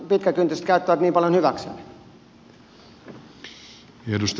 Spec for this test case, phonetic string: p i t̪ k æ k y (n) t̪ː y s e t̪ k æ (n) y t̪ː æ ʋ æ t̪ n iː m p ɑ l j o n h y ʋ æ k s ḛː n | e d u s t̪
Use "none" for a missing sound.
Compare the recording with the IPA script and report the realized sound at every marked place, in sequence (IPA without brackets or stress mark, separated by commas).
n, none